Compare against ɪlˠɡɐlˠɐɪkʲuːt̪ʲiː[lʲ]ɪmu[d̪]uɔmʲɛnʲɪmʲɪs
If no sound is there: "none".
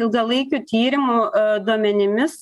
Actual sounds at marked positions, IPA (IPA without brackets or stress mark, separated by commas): ɾʲ, d̪